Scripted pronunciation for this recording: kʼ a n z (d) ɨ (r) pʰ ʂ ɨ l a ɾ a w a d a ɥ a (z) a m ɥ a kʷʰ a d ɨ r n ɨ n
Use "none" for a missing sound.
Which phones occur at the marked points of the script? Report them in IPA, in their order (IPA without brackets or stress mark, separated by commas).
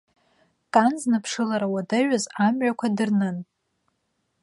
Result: n, none, z